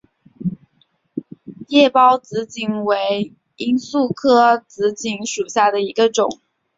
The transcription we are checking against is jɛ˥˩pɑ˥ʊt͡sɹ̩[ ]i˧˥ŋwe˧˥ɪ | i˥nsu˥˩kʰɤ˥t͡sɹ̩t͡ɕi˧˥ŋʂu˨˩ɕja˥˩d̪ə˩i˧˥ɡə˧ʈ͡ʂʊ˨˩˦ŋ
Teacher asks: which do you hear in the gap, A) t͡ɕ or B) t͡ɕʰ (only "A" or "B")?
A